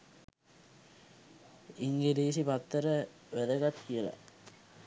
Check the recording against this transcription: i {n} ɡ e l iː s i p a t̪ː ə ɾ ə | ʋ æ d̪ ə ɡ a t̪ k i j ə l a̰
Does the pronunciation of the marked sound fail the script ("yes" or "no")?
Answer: yes